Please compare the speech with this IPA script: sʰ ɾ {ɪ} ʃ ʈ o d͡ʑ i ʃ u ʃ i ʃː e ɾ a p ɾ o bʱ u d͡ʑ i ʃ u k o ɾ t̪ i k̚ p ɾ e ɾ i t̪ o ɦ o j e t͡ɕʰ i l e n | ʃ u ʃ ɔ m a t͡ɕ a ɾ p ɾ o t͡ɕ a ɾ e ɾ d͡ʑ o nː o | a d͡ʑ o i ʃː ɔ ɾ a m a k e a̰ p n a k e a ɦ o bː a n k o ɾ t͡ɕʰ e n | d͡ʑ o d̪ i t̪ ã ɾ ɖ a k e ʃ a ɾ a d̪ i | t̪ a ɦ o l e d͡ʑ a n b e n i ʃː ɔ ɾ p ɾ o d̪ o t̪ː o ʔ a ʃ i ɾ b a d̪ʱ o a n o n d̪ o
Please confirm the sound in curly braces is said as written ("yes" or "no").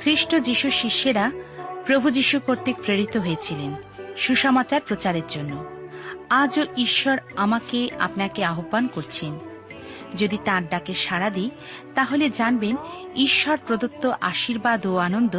no